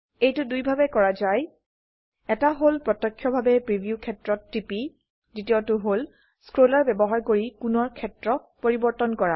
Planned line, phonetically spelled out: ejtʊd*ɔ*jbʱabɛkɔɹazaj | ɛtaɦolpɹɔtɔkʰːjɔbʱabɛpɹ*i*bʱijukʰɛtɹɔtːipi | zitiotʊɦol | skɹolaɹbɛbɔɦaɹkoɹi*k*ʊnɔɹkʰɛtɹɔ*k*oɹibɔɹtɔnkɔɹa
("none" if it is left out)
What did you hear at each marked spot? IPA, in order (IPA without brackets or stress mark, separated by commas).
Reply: u, i, k, p